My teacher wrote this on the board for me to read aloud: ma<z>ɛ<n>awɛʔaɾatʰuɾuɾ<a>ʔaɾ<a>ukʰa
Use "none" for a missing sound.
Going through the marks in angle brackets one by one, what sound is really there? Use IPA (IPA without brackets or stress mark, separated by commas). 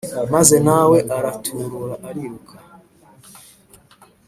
z, n, a, i